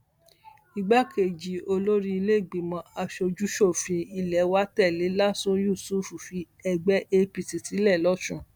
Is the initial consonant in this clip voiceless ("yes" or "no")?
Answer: no